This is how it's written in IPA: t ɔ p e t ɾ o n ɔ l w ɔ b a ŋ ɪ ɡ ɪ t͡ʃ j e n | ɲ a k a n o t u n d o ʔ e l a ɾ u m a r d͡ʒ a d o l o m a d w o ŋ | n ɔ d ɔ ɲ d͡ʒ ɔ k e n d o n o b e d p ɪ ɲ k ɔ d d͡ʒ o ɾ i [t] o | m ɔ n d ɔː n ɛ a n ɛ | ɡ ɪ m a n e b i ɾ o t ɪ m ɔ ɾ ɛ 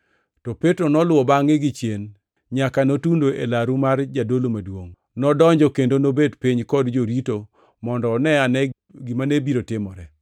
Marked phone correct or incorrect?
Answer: correct